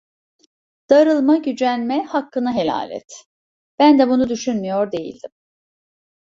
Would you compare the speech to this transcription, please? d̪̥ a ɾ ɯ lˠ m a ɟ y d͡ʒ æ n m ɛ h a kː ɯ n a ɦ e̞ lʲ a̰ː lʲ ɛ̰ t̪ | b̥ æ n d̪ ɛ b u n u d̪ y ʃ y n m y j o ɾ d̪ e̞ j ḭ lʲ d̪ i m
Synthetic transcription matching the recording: d̪̥ a ɾ ɯ lˠ m a ɟ y d͡ʒ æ n m ɛ h a kː ɯ n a ɦ e̞ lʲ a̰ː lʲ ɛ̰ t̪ | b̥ æ n d̪ ɛ b u n u d̪ y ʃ y n m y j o ɾ d̪ e̞ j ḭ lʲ d̪ i m